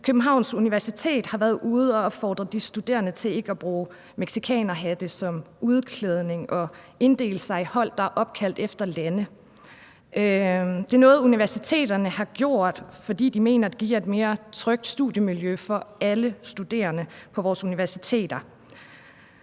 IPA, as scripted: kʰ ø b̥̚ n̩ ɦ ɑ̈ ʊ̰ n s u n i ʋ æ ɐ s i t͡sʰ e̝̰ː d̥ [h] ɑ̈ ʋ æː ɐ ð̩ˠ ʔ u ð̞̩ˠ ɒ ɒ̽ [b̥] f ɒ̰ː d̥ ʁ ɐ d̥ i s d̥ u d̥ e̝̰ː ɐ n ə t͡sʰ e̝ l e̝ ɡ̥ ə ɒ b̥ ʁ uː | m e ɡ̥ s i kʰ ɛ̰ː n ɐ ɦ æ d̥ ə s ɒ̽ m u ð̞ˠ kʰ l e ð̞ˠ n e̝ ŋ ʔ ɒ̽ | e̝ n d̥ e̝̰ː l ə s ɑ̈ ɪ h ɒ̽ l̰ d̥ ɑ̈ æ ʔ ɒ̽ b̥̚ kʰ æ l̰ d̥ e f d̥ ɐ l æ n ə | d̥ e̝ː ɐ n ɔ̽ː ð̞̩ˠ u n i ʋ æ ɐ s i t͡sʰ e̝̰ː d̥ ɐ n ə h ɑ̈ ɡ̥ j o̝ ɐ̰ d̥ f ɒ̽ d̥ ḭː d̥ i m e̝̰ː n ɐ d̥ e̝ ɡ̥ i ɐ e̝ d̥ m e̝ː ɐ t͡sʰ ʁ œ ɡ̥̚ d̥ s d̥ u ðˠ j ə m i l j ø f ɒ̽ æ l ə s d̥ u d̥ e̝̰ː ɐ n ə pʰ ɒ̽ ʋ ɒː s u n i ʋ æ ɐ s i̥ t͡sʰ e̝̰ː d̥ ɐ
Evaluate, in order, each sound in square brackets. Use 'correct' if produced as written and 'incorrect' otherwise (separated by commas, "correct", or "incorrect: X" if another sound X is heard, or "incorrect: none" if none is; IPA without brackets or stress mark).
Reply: correct, correct